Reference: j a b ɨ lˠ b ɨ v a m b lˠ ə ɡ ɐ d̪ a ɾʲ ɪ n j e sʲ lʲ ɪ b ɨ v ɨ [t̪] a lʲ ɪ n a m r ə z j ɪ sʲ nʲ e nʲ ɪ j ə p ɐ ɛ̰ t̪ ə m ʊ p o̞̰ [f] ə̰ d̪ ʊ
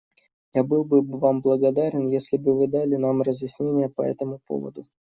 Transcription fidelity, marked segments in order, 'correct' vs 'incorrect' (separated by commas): incorrect, incorrect